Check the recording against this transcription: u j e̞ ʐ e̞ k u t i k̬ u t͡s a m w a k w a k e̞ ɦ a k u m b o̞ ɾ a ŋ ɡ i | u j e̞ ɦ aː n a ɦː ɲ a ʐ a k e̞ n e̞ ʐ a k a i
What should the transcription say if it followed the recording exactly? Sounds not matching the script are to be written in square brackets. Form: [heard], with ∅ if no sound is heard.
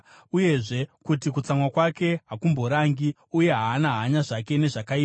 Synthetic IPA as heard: u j e̞ ʐ e̞ k u t i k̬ u t͡s a m w a k w a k e̞ ɦ a k u m b o̞ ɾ a ŋ ɡ i | u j e̞ ɦ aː n a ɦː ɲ a ʐ a k e̞ n e̞ ʐ a k a i